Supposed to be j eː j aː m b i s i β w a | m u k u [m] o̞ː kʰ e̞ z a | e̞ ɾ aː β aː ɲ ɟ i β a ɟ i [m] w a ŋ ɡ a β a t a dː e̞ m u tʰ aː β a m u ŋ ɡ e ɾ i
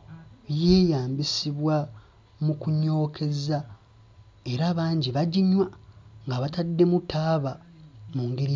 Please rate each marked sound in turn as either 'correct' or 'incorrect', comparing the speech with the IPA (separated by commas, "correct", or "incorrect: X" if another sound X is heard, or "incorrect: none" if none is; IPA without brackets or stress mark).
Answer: incorrect: ɲ, incorrect: ɲ